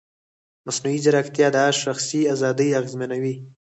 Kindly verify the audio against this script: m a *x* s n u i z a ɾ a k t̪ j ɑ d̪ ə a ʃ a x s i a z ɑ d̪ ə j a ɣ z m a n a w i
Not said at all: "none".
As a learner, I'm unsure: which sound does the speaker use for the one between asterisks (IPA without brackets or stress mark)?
none